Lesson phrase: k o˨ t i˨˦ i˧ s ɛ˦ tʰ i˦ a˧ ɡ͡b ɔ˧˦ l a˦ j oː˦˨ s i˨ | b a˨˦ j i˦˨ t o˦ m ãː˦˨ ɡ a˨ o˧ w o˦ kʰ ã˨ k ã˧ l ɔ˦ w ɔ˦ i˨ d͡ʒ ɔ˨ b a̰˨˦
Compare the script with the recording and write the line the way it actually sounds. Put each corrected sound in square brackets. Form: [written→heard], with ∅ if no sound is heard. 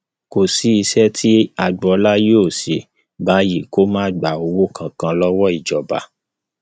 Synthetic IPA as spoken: k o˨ [t→s] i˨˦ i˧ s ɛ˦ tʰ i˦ a˧ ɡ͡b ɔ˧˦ l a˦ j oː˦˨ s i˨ | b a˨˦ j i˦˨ [t→k] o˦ m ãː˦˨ [ɡ→ɡ͡b] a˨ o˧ w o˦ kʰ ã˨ k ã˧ l ɔ˦ w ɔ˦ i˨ d͡ʒ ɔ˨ b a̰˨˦

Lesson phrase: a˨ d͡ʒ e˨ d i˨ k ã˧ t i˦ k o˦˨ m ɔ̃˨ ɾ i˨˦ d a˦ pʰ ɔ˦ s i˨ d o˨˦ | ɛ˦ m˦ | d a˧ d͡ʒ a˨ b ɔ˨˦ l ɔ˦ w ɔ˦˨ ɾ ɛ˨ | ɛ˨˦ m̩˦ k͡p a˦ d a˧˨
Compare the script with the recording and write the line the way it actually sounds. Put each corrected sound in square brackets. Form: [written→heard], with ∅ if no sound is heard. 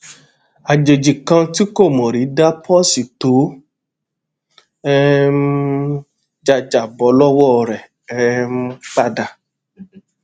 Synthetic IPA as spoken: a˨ d͡ʒ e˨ [d→d͡ʒ] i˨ k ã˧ t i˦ k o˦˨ m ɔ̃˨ ɾ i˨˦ d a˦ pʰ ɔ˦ s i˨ [d→t] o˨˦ | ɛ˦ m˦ | [d→d͡ʒ] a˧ d͡ʒ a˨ b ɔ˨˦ l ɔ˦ w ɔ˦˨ ɾ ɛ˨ | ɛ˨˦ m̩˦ k͡p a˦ d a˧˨

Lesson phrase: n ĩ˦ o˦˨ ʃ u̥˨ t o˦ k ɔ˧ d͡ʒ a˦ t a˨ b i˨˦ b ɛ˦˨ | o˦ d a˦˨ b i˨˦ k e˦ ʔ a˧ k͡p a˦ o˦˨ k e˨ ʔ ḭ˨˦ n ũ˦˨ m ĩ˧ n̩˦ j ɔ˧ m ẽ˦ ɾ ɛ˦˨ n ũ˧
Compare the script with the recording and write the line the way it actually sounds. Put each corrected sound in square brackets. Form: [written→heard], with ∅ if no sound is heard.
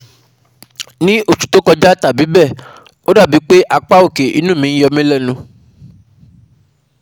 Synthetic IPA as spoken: n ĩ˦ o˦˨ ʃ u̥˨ t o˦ k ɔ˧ d͡ʒ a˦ t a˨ b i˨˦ b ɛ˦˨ | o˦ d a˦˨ b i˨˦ [k→k͡p] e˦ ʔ a˧ k͡p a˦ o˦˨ k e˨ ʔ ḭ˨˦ n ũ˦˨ m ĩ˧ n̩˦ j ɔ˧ m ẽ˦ [ɾ→l] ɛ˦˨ n ũ˧

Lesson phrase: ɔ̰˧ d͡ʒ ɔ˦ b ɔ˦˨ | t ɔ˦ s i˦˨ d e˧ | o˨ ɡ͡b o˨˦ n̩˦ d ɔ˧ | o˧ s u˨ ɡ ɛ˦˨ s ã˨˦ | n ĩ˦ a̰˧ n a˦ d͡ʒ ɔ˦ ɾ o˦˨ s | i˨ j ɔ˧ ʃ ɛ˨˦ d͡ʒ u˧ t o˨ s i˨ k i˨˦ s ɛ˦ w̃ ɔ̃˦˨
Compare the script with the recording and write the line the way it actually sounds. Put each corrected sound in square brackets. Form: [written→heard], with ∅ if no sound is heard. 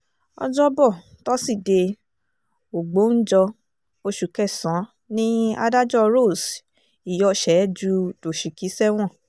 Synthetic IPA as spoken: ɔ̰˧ d͡ʒ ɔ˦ b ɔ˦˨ | t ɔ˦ s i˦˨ d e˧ | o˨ ɡ͡b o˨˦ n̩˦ [d→d͡ʒ] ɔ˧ | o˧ [s→ʃ] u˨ [ɡ→k] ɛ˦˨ s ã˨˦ | n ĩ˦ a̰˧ [n→d] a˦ d͡ʒ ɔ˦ ɾ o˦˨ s | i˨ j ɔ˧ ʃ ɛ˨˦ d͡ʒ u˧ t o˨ [s→ʃ] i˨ k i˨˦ s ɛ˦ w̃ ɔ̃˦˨

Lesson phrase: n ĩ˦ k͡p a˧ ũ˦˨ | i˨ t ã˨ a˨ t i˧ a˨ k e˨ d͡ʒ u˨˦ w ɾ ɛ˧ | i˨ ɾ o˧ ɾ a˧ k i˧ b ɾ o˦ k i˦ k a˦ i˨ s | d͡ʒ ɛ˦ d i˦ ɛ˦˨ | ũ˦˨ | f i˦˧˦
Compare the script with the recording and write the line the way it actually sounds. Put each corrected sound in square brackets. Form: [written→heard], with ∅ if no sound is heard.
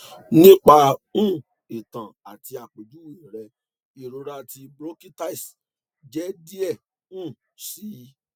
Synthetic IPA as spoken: n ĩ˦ k͡p a˧ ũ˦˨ | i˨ t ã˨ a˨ t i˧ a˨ [k→k͡p] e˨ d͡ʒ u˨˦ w ɾ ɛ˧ | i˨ ɾ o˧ ɾ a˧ [k→t] i˧ b ɾ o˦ k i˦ [k→t] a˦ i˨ s | d͡ʒ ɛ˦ d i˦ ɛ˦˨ | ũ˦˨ | [f→s] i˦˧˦

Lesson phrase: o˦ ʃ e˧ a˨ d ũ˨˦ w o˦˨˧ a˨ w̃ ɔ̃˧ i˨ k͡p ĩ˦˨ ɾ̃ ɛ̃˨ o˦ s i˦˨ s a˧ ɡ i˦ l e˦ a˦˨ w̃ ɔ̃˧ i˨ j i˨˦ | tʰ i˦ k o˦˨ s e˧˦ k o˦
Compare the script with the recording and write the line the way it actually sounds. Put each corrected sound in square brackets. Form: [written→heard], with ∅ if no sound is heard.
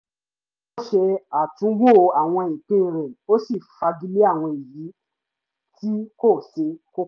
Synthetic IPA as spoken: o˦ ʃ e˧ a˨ [d→t] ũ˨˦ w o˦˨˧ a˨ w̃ ɔ̃˧ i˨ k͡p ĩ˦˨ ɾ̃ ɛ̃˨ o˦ s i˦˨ [s→f] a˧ ɡ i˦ l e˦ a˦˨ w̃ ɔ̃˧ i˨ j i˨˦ | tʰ i˦ k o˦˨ s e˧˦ k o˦

